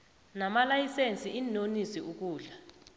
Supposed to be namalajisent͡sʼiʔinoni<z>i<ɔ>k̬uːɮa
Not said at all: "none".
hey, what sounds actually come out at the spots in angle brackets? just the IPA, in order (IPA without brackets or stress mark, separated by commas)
s, u